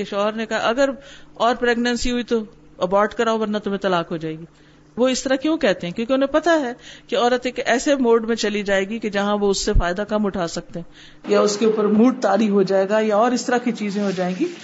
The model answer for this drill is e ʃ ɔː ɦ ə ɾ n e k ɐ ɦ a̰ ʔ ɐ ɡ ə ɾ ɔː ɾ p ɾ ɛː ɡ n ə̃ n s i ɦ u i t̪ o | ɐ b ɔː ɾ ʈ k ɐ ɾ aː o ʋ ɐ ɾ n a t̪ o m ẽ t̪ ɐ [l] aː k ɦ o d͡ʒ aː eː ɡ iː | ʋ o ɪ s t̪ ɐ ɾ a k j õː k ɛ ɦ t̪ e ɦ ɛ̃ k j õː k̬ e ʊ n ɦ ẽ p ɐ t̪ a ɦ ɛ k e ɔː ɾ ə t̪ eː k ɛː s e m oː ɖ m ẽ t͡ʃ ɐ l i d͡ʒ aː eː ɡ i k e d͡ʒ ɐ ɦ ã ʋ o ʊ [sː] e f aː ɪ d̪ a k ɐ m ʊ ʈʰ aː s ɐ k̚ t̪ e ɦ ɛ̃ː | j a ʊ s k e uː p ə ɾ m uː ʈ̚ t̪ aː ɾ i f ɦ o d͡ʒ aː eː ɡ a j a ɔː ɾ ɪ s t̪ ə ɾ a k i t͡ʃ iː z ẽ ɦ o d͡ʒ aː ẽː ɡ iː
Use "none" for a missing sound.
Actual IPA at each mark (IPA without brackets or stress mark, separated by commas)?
l, sː